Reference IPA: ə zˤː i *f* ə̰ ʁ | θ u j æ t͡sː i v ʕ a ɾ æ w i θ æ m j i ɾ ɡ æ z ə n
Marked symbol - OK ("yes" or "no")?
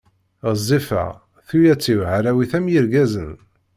yes